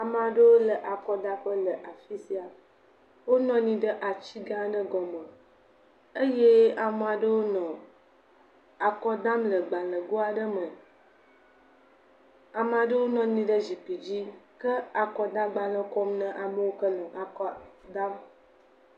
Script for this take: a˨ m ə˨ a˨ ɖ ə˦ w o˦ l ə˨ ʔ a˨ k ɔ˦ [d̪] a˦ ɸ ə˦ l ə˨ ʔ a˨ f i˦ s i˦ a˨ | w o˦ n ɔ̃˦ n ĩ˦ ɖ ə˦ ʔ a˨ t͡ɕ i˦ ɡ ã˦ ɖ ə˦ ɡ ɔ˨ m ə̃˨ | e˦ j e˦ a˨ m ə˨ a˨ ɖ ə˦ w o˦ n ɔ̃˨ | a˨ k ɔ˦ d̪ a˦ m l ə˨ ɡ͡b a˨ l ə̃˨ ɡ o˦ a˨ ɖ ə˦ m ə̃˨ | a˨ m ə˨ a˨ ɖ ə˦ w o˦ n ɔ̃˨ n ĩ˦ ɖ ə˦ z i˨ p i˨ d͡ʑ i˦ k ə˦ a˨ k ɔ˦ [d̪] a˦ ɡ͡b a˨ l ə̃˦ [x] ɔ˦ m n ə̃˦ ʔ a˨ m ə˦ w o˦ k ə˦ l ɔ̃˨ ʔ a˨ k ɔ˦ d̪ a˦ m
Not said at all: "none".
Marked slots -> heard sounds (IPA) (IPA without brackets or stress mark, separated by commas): d̪, d̪, k